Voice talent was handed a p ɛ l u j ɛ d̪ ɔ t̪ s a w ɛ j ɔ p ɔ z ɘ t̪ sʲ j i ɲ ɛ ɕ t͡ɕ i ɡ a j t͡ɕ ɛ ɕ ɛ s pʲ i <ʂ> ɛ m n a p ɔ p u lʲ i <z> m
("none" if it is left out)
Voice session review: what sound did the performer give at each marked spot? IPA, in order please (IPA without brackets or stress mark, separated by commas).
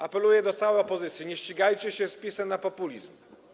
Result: s, z